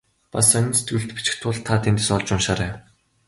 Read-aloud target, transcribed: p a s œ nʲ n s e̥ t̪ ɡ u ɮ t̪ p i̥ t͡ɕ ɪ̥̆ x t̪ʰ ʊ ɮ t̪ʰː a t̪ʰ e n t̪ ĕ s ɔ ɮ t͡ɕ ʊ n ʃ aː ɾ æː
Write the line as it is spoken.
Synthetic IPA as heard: p a s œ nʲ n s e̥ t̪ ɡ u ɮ t̪ p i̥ t͡ɕ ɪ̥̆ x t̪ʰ ʊ ɮ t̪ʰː a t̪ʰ e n t̪ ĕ s ɔ ɮ t͡ɕ ʊ n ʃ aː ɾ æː